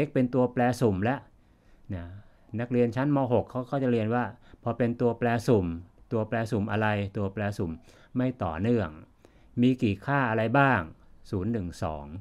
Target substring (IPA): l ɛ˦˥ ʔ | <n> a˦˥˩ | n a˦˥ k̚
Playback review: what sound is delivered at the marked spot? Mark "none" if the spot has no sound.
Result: n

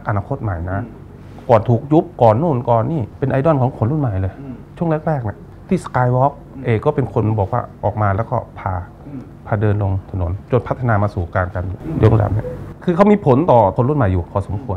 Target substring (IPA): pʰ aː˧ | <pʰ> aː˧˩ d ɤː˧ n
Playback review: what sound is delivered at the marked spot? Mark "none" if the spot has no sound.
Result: pʰ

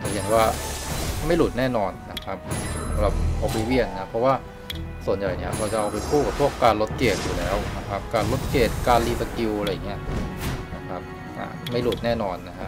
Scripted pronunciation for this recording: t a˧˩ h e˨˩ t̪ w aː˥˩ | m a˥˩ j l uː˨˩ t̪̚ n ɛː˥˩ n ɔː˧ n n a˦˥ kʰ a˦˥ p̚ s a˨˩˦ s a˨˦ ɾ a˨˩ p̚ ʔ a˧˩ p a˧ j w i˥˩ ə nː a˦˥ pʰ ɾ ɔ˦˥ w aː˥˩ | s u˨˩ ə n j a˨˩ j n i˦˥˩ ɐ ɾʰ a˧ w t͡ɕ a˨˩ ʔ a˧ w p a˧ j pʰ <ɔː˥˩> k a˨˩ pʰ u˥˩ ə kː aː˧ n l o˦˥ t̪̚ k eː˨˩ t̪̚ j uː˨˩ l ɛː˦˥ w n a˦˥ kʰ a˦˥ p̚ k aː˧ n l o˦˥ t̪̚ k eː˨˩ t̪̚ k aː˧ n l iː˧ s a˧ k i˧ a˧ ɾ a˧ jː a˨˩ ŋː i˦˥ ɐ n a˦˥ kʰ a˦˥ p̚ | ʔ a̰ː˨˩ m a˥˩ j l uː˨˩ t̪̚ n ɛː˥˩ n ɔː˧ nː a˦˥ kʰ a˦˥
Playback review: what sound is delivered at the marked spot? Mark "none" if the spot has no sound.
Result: uː˥˩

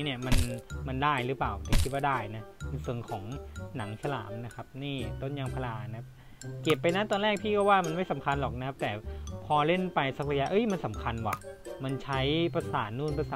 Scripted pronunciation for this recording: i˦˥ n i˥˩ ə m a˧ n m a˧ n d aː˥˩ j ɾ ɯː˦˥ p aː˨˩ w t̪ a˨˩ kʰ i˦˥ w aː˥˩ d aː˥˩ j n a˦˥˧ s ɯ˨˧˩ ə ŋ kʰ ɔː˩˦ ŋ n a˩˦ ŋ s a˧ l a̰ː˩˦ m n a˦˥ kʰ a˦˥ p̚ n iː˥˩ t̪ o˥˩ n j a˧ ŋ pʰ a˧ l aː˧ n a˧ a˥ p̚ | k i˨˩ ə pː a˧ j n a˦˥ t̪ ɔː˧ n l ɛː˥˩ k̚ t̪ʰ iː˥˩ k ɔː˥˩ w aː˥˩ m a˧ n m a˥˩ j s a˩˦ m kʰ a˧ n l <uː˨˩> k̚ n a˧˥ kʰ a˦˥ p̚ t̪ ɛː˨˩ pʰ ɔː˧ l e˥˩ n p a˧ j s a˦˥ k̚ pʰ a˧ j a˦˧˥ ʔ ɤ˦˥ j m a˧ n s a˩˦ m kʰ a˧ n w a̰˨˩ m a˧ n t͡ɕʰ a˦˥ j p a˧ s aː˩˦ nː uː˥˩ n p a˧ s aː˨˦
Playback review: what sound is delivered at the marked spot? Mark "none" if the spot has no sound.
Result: ɔː˨˩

